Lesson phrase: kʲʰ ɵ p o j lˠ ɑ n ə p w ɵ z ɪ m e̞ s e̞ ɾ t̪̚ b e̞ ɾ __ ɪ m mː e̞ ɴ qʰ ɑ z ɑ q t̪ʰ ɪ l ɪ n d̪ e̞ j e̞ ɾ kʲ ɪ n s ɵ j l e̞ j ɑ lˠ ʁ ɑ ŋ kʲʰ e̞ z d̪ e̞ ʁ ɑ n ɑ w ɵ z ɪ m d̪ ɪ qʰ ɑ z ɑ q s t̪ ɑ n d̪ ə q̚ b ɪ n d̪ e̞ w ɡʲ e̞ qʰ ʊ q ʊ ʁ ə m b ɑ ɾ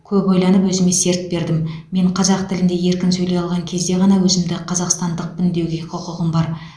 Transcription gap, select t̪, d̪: d̪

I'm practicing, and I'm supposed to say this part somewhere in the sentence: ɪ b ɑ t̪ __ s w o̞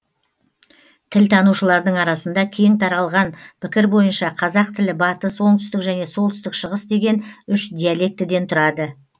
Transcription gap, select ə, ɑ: ə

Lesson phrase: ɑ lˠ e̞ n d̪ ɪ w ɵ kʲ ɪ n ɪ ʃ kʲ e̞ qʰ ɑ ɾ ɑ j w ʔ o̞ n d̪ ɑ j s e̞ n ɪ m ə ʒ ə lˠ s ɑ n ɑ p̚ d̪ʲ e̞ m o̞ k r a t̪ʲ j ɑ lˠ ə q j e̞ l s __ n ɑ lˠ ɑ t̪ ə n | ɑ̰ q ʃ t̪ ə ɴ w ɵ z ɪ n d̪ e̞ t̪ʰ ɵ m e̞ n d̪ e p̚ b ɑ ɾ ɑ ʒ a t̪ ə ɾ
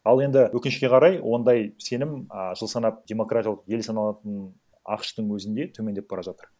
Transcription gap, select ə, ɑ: ɑ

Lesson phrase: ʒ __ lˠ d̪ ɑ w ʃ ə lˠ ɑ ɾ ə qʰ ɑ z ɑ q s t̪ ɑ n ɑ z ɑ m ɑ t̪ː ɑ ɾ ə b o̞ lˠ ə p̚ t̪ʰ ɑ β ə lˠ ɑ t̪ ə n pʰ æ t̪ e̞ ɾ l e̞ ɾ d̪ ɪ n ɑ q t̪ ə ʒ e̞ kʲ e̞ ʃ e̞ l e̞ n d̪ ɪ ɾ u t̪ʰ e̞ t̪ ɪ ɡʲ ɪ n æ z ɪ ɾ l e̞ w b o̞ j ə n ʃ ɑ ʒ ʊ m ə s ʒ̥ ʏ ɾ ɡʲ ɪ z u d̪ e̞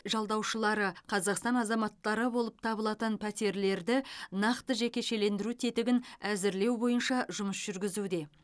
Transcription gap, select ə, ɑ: ɑ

